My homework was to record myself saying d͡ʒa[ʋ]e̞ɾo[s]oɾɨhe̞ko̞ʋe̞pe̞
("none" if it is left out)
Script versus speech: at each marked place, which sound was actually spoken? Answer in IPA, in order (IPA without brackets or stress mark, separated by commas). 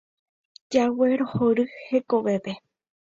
w, h